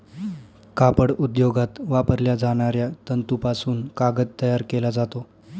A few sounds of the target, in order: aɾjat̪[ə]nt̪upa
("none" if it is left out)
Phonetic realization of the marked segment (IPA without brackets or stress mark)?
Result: ə